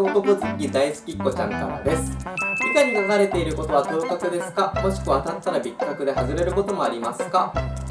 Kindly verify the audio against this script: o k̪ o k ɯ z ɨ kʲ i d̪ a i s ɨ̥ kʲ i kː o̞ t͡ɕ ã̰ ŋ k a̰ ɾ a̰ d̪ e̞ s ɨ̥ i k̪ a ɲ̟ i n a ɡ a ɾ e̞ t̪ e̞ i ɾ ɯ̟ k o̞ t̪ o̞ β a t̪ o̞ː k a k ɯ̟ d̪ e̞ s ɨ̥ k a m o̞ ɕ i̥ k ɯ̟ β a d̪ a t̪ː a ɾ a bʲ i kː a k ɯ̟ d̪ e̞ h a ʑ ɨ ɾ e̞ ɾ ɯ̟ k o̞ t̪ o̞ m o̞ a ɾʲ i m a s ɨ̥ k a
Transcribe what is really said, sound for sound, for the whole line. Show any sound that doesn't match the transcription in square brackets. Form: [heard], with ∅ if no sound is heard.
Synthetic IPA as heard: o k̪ o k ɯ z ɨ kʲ i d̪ a i s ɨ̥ kʲ i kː o̞ t͡ɕ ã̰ ŋ k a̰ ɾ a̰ d̪ e̞ s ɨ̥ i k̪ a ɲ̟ i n a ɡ a ɾ e̞ t̪ e̞ i ɾ ɯ̟ k o̞ t̪ o̞ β a t̪ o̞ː k a k ɯ̟ d̪ e̞ s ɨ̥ k a m o̞ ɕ i̥ k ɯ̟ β a [t̪] a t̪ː a ɾ a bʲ i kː a k ɯ̟ d̪ e̞ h a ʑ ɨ ɾ e̞ ɾ ɯ̟ k o̞ t̪ o̞ m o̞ a ɾʲ i m a s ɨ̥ k a